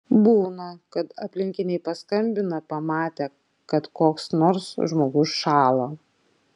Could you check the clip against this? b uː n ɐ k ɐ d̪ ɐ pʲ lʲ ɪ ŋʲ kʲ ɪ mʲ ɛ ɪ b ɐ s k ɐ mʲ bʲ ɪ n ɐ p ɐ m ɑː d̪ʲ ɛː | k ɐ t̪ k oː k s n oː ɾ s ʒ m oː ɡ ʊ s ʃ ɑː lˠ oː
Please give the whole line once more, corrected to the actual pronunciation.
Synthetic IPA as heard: b uː n ɐ k ɐ t̪ ɐ pʲ lʲ ɪ ŋʲ kʲ ɪ nʲ ɛ ɪ p ɐ s k ɐ mʲ bʲ ɪ n ɐ p ɐ m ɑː t̪ʲ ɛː | k ɐ t̪ k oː k s n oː ɾ s ʒ m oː ɡ ʊ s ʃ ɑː lˠ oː